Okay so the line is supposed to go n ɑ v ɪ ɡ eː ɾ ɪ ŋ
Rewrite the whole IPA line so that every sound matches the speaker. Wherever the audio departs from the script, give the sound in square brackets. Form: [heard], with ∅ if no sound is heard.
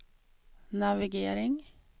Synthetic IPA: n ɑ [ʋ] ɪ ɡ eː ɾ ɪ ŋ